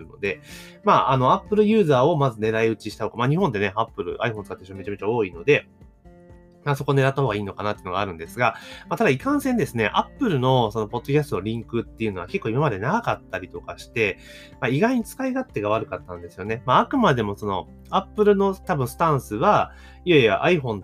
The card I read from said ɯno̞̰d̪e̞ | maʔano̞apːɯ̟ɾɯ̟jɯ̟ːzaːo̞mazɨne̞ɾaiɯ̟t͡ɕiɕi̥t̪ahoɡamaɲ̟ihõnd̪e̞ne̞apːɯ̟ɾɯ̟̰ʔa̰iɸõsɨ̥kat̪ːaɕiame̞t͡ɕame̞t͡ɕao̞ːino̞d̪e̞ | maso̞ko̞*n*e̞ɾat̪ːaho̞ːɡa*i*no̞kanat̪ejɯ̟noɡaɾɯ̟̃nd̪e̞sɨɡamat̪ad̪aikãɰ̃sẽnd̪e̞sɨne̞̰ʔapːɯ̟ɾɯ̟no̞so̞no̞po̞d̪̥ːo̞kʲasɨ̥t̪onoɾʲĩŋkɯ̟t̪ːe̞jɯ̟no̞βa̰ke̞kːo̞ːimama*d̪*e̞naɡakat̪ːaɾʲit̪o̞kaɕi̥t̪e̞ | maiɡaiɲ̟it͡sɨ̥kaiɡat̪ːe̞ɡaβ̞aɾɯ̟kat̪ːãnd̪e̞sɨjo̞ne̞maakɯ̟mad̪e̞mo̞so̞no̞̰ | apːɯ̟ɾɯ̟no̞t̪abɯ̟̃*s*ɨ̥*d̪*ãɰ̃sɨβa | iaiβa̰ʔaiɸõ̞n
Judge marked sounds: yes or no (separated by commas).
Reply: yes, no, yes, yes, no